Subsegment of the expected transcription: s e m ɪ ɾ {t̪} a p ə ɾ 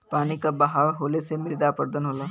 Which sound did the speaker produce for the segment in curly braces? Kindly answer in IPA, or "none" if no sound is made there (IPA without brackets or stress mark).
d̪